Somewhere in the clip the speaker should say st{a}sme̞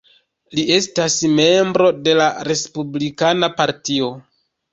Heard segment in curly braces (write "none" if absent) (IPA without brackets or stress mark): a